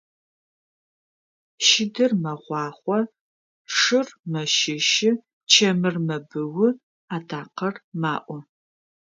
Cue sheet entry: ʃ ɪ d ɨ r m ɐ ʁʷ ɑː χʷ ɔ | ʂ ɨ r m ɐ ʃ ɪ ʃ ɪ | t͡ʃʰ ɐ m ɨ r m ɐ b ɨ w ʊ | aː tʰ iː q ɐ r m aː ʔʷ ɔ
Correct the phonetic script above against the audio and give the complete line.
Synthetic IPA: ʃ ɪ d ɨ r m ɐ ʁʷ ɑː χʷ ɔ | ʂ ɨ r m ɐ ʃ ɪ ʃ ɪ | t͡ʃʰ ɐ m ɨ r m ɐ b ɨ w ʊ | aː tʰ aː q ɐ r m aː ʔʷ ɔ